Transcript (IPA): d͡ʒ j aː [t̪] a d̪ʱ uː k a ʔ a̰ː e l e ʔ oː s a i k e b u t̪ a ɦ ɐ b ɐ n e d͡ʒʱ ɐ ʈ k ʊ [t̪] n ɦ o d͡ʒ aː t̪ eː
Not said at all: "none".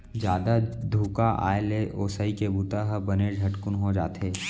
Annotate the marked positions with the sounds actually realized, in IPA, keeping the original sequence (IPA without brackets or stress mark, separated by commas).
d̪, none